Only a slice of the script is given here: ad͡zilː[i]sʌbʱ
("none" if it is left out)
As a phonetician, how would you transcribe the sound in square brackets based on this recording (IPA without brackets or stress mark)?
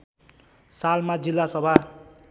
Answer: a